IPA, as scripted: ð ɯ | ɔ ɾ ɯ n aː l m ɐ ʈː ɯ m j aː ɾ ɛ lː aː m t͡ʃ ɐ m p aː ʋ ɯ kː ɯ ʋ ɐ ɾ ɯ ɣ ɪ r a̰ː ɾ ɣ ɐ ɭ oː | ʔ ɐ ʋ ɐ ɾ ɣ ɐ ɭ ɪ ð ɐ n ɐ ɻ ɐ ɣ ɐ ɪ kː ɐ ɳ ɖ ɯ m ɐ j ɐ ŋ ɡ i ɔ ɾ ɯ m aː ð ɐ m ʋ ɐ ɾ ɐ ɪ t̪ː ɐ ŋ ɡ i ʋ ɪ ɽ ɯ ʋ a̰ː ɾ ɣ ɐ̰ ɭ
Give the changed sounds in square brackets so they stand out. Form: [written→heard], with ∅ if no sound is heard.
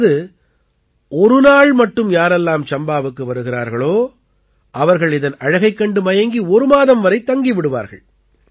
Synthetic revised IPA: ð ɯ | ɔ ɾ ɯ n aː [l→ɭ] m ɐ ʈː ɯ m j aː ɾ ɛ lː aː m t͡ʃ ɐ m [p→b] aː ʋ ɯ kː ɯ ʋ ɐ ɾ ɯ ɣ ɪ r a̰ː ɾ ɣ ɐ ɭ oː | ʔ ɐ ʋ ɐ ɾ ɣ ɐ ɭ ɪ ð ɐ n ɐ ɻ ɐ ɣ ɐ ɪ kː ɐ ɳ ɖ ɯ m ɐ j ɐ ŋ ɡ i ɔ ɾ ɯ m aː ð ɐ m ʋ ɐ ɾ ɐ ɪ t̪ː ɐ ŋ ɡ i ʋ ɪ ɽ ɯ ʋ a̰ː ɾ ɣ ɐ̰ ɭ